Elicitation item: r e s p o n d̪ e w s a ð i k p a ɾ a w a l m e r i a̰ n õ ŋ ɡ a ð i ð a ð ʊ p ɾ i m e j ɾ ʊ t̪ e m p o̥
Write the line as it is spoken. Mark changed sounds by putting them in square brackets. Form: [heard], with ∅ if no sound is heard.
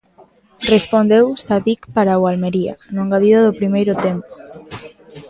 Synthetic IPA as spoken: r e s p o n d̪ e w s a ð i k p a ɾ a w a l m e [ɾ] i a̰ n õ ŋ ɡ a ð i ð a ð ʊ p ɾ i m e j ɾ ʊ t̪ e m p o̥